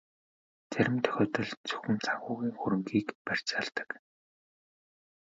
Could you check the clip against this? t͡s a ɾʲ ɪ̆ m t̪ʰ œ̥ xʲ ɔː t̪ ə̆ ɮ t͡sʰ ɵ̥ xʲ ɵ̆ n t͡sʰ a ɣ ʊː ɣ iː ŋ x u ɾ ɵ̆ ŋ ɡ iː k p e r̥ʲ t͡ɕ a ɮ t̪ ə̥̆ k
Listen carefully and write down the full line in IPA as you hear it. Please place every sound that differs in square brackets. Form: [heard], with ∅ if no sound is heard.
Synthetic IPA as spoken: t͡s [æ] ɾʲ ɪ̆ m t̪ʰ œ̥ xʲ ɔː t̪ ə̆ ɮ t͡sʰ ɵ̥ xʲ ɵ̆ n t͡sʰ a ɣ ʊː ɣ iː ŋ x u ɾ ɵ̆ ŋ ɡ iː k p [æ] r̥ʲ t͡ɕ a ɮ t̪ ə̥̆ k